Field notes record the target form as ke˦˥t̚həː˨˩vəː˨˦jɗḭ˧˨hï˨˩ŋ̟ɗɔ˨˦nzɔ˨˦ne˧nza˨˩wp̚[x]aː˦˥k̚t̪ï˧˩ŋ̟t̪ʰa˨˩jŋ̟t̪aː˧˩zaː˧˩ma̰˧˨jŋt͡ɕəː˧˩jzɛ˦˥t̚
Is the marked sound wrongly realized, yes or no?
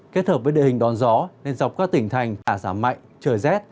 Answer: yes